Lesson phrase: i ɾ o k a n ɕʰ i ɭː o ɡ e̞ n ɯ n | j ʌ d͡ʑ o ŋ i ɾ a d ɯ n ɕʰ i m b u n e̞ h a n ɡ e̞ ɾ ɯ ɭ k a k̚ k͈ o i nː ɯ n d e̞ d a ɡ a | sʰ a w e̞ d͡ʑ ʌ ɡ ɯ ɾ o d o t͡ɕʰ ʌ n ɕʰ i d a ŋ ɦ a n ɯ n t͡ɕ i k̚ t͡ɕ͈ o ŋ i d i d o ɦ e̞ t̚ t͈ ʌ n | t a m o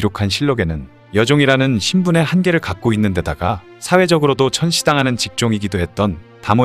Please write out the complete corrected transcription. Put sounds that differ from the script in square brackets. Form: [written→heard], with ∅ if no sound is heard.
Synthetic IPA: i ɾ o [k→kʰ] a n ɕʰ i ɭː o ɡ e̞ n ɯ n | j ʌ d͡ʑ o ŋ i ɾ a [d→n] ɯ n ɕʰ i m b u n e̞ h a n ɡ e̞ ɾ ɯ ɭ k a k̚ k͈ o i nː ɯ n d e̞ d a ɡ a | sʰ a w e̞ d͡ʑ ʌ ɡ ɯ ɾ o d o t͡ɕʰ ʌ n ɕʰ i d a ŋ ɦ a n ɯ n t͡ɕ i k̚ t͡ɕ͈ o ŋ i [d→ɡ] i d o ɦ e̞ t̚ t͈ ʌ n | t a m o